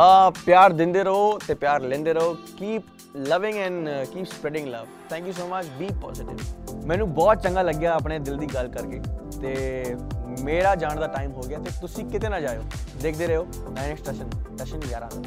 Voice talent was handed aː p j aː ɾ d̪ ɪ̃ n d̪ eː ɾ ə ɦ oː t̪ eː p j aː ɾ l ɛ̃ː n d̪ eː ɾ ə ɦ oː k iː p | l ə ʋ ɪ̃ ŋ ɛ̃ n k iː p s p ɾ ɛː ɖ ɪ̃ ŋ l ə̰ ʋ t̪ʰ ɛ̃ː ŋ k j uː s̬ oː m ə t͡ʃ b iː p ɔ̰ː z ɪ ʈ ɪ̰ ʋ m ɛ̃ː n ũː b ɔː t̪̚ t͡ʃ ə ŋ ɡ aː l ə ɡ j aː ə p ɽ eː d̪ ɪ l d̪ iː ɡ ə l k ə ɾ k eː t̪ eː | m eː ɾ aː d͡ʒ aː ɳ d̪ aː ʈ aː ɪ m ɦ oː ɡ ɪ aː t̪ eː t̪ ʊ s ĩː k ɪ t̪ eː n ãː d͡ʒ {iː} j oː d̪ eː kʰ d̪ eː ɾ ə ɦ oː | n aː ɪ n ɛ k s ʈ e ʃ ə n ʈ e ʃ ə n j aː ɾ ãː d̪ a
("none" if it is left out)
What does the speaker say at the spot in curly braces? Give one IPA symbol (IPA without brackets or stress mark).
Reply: aː